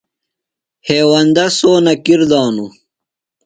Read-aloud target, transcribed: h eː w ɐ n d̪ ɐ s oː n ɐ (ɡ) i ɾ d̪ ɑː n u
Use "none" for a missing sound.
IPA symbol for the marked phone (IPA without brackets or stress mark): k